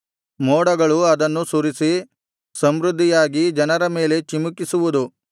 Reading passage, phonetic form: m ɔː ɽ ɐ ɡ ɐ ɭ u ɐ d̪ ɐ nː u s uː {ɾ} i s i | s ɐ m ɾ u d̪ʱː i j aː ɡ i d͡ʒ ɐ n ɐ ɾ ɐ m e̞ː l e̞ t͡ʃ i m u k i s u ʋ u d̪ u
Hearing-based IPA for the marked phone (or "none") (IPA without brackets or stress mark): ɾ